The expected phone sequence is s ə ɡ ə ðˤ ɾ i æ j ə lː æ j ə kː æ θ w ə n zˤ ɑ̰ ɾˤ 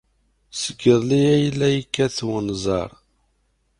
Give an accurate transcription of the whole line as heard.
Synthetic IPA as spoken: s ə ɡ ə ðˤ l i æ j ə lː æ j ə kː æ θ w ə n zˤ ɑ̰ ɾˤ